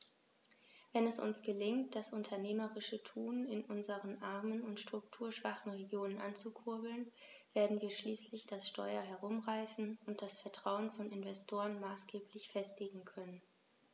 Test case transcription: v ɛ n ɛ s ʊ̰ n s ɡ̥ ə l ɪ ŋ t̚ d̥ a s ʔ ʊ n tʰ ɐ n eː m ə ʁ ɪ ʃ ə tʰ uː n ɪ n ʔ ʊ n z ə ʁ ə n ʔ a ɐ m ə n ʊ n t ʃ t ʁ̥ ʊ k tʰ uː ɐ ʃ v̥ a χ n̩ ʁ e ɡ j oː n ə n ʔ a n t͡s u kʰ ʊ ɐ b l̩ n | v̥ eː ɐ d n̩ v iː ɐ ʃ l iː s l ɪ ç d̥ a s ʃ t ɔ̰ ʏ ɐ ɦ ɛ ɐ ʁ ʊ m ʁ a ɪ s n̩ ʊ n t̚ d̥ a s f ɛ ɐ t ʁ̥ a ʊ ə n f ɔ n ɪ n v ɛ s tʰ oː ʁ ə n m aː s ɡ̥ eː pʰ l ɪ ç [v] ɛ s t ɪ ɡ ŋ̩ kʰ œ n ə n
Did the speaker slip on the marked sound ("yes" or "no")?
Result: yes